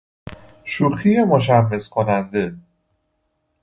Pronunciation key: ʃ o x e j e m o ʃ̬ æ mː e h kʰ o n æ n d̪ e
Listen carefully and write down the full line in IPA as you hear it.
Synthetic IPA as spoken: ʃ u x i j e m o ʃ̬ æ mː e s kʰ o n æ n d̪ e